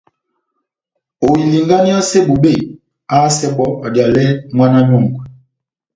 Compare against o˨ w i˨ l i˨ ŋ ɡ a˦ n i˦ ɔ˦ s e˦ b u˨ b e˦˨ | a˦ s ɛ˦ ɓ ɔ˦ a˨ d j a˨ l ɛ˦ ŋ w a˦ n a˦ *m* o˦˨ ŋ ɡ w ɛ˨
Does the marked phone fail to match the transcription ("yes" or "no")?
yes